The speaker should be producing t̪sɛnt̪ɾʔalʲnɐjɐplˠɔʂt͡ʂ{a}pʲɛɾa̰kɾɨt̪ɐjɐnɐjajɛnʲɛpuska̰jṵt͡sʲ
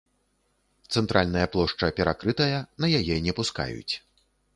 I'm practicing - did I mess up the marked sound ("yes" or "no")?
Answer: yes